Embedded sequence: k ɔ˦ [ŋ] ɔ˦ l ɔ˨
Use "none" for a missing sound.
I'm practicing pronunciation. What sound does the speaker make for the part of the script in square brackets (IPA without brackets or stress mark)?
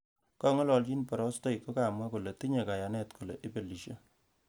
ŋ